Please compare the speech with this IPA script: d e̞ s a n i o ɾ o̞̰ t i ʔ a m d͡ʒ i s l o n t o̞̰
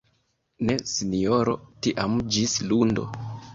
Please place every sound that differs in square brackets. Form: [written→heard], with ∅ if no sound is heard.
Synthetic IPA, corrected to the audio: [d→n] e̞ s [a→i] n i o ɾ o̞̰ t i ʔ a m d͡ʒ i s l [o→u] n [t→d] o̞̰